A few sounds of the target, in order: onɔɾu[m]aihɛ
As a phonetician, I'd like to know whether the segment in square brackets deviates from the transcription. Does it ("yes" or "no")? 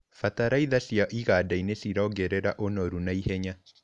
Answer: yes